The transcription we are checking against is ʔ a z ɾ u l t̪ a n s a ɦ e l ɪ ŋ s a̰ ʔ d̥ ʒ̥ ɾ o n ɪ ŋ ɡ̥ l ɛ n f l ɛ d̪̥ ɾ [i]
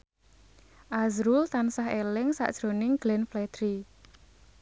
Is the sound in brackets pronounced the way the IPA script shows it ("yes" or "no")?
yes